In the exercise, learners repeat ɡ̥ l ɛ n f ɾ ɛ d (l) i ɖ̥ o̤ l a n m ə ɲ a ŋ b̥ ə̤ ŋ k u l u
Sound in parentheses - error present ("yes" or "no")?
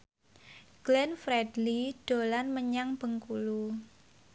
no